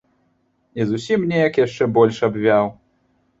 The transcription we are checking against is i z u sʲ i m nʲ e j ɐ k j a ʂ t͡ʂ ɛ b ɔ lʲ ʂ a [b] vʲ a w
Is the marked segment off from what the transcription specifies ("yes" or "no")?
no